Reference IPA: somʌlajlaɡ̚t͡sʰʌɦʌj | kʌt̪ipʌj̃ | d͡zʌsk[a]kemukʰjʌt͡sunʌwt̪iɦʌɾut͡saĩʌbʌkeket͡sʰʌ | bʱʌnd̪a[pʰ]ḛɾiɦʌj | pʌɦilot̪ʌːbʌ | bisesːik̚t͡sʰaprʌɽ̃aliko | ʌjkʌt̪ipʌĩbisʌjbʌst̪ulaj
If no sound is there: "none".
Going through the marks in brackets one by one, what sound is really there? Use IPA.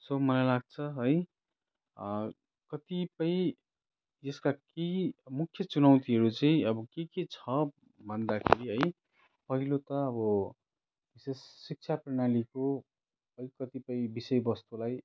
a, kʰ

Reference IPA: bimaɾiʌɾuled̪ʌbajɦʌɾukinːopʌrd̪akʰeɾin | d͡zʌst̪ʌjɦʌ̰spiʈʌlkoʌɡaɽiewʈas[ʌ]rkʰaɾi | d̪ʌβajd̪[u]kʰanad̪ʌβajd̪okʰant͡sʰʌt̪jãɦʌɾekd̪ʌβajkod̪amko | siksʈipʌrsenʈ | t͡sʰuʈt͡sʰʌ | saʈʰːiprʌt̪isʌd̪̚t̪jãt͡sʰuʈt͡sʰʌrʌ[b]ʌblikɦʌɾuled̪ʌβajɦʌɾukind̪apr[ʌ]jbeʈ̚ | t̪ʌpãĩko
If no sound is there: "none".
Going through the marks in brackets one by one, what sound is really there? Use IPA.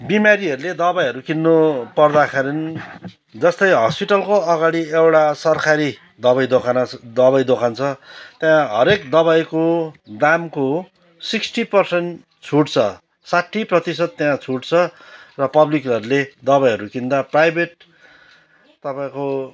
ʌ, o, p, a

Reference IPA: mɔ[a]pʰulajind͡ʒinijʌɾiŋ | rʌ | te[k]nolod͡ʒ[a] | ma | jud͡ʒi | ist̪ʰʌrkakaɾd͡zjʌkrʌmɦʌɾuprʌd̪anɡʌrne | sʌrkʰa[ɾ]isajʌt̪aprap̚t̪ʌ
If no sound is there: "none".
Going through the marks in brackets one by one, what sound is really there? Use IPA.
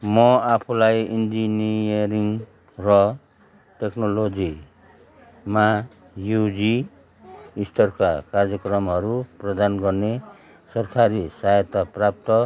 a, k, i, ɾ

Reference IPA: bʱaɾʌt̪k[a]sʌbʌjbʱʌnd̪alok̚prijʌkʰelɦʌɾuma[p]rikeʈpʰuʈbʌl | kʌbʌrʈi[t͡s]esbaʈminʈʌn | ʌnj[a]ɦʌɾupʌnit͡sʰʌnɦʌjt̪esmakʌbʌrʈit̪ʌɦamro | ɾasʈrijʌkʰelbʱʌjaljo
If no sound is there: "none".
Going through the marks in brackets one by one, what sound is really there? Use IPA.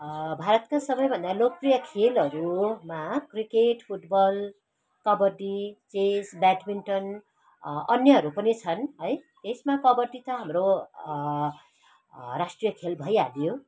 a, k, t͡s, ʌ

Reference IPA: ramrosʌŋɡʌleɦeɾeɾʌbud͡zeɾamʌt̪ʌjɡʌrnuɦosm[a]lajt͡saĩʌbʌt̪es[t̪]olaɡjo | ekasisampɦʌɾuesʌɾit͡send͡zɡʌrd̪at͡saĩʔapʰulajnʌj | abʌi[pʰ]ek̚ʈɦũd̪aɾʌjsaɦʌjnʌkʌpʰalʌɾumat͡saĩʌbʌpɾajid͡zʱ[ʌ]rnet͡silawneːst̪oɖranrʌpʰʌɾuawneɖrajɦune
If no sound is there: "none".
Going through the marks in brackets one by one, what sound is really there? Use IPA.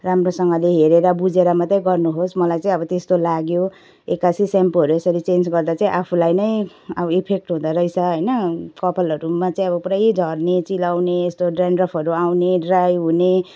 ʌ, t̪, pʰ, ʌ

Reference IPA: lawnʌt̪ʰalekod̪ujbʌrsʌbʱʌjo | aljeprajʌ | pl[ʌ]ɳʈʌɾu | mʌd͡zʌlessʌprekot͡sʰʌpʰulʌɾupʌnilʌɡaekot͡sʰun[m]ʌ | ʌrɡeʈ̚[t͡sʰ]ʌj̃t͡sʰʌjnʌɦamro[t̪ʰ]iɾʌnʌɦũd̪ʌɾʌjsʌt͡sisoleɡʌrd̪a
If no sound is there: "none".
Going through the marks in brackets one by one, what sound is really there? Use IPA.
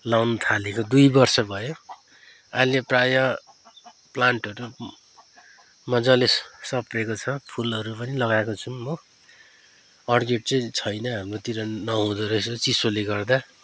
a, m, t͡s, t̪

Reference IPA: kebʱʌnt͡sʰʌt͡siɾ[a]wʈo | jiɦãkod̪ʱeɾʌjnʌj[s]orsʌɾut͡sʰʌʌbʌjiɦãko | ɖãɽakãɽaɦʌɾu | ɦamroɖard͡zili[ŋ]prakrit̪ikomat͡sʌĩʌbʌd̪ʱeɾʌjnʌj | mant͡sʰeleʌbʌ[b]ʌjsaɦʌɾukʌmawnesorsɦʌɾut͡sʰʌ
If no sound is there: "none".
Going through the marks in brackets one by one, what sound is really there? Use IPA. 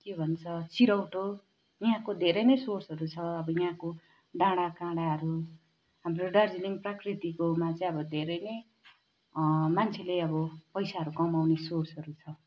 ʌ, s, ŋ, p

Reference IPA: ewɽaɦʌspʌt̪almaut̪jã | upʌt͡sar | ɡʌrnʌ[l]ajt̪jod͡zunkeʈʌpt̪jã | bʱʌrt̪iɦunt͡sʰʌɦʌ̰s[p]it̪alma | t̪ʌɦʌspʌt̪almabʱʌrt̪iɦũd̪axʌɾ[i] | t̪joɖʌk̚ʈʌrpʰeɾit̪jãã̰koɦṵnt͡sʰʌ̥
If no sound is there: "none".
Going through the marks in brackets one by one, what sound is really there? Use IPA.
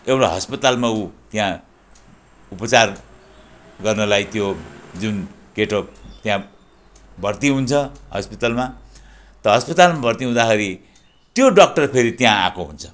l, p, i

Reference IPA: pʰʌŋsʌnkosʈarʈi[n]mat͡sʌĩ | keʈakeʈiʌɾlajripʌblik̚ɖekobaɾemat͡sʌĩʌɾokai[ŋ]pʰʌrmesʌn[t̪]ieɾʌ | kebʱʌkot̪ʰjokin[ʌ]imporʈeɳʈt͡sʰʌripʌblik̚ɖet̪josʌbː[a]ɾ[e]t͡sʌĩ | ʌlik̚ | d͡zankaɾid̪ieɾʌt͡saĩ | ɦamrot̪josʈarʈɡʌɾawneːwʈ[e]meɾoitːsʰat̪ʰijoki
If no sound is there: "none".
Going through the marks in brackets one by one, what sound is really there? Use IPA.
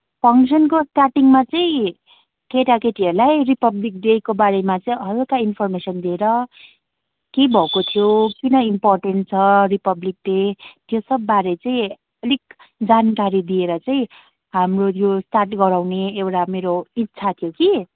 ŋ, n, d̪, ʌ, a, e, a

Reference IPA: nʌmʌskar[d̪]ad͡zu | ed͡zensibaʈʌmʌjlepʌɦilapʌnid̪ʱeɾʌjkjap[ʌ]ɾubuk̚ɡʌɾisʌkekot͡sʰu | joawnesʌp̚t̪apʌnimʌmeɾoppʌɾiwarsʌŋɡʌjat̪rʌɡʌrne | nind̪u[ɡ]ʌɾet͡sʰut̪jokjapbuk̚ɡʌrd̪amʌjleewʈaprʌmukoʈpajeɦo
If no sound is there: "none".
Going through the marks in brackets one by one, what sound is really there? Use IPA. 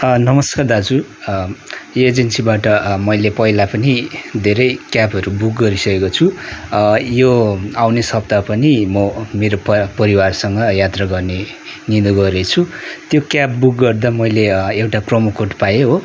d̪, ʌ, ɡ

